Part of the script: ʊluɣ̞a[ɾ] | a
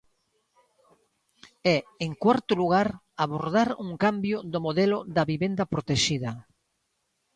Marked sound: correct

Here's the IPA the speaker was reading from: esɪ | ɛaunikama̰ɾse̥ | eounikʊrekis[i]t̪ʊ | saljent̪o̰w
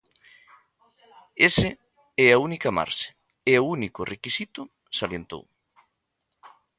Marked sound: correct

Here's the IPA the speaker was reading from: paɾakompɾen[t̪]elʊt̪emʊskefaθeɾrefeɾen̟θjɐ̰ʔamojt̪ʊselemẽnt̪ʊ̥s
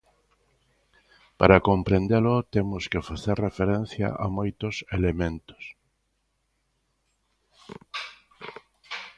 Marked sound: incorrect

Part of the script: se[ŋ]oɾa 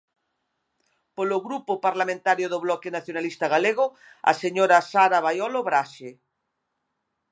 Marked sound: incorrect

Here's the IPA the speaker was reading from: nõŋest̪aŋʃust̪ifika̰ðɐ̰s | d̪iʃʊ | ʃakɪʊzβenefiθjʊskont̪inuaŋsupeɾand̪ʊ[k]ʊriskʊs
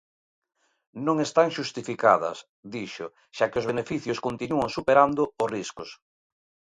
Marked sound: incorrect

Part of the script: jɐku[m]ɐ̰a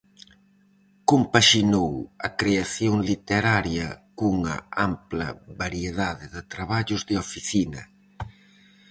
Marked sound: incorrect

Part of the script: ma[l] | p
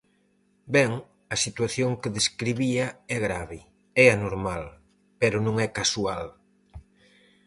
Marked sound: correct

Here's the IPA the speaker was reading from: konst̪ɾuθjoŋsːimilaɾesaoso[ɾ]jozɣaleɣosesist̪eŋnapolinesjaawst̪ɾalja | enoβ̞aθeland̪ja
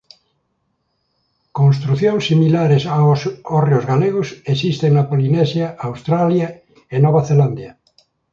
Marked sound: incorrect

